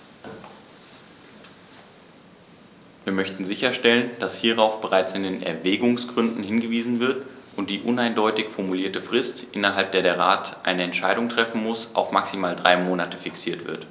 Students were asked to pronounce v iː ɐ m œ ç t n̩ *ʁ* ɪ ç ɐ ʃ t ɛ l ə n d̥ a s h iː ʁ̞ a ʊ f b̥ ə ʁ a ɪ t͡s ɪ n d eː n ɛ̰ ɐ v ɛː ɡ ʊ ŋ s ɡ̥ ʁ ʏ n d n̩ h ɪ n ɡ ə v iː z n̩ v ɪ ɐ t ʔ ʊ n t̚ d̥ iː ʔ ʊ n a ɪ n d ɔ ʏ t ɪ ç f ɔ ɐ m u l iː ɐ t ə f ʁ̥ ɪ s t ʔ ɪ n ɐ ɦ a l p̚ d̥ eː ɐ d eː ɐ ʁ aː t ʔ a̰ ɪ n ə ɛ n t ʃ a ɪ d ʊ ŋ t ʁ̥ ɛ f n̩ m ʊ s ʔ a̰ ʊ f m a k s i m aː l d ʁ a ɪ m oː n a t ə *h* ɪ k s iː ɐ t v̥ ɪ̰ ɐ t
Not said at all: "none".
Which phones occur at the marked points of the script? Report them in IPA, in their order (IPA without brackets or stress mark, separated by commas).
z, f